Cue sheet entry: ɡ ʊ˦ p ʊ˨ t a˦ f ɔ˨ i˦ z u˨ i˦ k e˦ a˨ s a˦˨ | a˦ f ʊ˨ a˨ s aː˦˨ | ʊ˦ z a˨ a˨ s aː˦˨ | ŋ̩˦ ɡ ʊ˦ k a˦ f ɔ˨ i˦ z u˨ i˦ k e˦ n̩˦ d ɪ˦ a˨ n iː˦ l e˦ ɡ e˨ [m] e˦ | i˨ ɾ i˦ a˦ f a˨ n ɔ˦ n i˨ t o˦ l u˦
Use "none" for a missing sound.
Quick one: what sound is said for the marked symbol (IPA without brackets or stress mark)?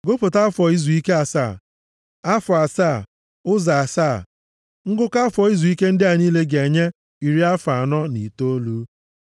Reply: ɲ